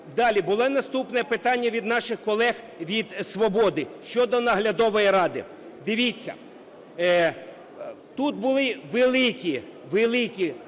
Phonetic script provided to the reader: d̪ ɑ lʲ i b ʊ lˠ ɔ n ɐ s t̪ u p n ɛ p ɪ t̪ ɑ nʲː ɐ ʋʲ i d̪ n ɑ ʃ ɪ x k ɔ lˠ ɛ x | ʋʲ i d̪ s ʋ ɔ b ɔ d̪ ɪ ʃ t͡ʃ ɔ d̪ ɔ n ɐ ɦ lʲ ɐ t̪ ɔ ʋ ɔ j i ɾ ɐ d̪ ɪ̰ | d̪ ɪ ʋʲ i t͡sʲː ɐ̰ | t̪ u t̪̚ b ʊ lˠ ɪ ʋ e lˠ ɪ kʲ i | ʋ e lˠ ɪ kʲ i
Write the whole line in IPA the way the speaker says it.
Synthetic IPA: d̪ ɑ lʲ i b ʊ lˠ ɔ n ɐ s t̪ u p n ɛ p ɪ t̪ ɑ nʲː ɐ ʋʲ i d̪ n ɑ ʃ ɪ x k ɔ lˠ ɛ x | ʋʲ i d̪ s ʋ ɔ b ɔ d̪ ɪ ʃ t͡ʃ ɔ d̪ ɔ n ɐ ɦ lʲ ɐ d̪ ɔ ʋ ɔ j i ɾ ɑ d̪ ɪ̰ | d̪ ɪ ʋʲ i t͡sʲː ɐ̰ | t̪ u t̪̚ b ʊ lˠ ɪ ʋ e lˠ ɪ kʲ i | ʋ e lˠ ɪ kʲ i